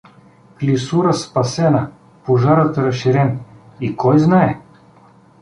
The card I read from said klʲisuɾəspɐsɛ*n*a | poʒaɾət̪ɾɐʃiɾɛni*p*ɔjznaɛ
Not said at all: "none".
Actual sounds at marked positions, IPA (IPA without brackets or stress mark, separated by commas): n, k